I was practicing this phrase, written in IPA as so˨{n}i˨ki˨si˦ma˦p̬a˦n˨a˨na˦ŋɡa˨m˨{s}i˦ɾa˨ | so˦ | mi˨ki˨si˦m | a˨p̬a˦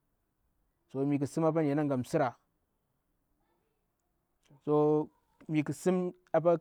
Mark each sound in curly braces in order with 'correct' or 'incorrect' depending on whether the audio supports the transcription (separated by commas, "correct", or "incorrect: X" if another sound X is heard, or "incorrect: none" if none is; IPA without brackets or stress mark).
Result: incorrect: m, correct